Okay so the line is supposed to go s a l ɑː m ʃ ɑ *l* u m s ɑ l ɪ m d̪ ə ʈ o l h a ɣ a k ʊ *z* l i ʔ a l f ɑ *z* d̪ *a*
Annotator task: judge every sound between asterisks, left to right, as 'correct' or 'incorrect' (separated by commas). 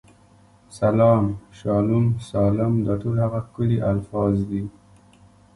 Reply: correct, incorrect, correct, incorrect